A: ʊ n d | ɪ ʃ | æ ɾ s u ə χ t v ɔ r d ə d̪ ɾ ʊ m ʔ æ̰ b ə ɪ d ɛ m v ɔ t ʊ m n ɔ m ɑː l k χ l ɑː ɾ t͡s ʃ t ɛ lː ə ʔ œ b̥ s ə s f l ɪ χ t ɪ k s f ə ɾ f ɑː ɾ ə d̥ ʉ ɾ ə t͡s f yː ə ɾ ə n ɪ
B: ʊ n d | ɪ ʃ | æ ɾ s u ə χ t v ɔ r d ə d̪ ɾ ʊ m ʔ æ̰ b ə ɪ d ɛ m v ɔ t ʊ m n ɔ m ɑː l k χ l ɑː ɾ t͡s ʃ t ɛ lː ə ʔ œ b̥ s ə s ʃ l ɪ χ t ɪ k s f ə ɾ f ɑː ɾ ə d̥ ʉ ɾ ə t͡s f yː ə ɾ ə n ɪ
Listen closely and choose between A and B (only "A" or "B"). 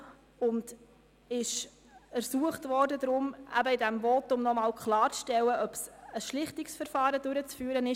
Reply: B